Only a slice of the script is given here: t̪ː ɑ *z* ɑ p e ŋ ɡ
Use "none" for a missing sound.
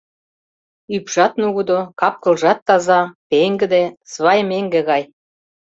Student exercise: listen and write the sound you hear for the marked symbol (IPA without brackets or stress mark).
z